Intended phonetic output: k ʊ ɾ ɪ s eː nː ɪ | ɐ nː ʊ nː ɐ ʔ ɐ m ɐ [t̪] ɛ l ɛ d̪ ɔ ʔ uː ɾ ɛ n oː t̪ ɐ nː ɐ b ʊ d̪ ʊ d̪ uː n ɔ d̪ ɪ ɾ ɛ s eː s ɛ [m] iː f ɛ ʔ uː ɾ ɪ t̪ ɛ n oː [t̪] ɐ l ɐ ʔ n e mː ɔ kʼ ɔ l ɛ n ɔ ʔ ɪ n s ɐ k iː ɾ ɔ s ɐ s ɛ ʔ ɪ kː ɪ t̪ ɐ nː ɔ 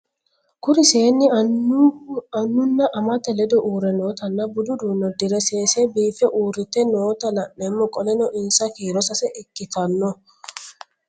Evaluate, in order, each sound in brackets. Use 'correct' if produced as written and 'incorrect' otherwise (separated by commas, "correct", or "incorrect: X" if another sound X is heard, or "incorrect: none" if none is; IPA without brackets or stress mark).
correct, incorrect: b, correct